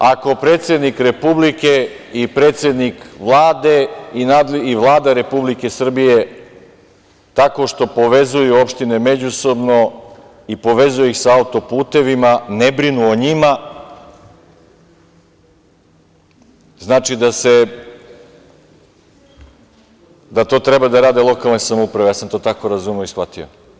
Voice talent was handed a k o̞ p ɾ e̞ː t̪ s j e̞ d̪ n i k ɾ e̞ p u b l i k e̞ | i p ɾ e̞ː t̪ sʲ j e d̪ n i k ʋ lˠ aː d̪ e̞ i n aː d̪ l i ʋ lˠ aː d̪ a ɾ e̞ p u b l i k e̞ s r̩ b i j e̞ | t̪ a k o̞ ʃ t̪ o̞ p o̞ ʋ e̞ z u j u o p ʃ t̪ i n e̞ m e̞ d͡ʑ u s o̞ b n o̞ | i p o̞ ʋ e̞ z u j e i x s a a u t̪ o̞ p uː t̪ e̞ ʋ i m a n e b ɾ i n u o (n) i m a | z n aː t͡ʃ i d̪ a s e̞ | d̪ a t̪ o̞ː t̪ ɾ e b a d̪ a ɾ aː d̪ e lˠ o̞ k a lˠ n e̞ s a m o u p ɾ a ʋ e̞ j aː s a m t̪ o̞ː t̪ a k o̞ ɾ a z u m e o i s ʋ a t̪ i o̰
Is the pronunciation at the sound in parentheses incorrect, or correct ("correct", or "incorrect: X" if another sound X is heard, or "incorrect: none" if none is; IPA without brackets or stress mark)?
incorrect: ɲ